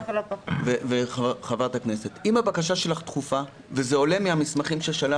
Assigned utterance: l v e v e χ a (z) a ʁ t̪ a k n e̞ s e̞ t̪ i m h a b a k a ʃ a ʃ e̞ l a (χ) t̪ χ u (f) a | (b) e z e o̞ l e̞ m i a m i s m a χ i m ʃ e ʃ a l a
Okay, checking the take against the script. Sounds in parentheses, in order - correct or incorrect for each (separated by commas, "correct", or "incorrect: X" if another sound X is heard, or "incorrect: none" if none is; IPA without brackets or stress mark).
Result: incorrect: v, correct, correct, incorrect: v